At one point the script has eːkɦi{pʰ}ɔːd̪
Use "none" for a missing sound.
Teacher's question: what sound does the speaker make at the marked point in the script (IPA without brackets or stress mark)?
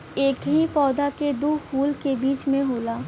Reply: p